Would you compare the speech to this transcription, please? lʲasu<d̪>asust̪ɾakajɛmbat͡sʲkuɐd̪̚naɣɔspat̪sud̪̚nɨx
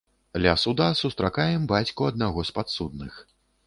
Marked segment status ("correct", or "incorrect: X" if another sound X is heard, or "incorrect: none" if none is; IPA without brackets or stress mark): correct